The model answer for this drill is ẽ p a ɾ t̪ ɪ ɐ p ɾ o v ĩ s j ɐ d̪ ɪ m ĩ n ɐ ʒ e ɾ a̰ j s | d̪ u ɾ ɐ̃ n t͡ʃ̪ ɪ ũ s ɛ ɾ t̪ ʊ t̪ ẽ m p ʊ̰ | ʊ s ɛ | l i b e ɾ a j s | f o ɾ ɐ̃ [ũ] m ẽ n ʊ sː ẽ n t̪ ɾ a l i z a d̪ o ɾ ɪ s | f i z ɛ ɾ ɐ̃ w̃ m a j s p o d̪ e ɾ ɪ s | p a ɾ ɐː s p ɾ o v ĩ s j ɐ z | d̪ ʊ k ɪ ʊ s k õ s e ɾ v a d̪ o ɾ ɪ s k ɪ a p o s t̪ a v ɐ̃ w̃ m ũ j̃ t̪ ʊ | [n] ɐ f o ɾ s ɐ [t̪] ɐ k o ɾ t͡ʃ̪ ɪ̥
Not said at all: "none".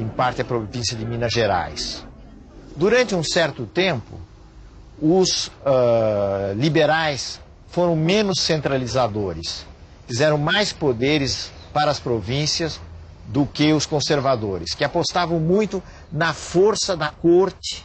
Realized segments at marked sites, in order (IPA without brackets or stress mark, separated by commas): w̃, n, d̪